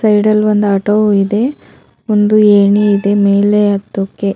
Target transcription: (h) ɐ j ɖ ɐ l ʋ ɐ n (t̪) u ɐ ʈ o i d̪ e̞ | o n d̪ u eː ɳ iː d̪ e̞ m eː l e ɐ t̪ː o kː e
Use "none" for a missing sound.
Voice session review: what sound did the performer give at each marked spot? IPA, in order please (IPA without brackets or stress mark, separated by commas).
s, d̪